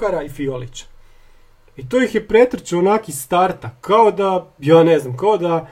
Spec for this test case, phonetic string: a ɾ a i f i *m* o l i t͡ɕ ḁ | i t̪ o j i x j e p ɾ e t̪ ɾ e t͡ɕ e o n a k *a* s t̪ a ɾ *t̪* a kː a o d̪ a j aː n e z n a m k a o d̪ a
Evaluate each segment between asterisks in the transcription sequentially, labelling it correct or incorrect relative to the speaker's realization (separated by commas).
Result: incorrect, incorrect, correct